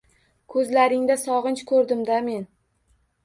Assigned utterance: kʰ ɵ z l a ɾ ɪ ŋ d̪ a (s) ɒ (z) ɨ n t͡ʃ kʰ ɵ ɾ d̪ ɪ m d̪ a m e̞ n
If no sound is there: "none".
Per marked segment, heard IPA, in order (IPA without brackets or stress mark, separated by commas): s, ʁ